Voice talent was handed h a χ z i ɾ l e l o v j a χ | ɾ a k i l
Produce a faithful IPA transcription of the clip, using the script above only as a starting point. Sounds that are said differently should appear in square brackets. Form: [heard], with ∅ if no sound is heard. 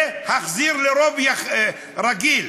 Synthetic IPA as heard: h a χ z i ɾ l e [ɾ] o v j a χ | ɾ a [ɡ] i l